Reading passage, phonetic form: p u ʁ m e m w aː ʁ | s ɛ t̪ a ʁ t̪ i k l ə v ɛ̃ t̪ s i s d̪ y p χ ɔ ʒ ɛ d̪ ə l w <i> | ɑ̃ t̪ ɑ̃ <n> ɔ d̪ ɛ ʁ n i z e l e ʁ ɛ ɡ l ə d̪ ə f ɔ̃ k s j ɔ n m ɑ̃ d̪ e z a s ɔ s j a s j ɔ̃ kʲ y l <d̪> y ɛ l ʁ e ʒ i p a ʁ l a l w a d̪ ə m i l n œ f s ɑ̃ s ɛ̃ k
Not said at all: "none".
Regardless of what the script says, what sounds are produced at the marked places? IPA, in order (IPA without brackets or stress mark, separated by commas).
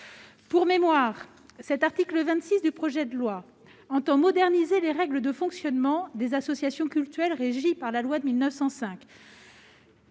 a, m, t̪